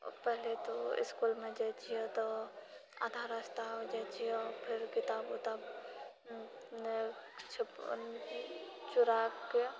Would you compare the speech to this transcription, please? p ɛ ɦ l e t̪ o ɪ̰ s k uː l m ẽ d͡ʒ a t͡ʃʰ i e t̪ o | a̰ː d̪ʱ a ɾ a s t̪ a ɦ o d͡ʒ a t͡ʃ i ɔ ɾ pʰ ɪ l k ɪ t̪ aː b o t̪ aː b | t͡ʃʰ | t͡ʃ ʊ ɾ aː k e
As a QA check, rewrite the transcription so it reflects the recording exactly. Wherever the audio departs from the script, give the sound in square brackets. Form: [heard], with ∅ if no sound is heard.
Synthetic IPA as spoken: p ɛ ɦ l e t̪ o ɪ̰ s k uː l m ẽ d͡ʒ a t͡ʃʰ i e t̪ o | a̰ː d̪ʱ a ɾ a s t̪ a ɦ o d͡ʒ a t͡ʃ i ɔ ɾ pʰ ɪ [ɾ] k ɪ t̪ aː b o t̪ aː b | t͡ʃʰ | t͡ʃ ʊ ɾ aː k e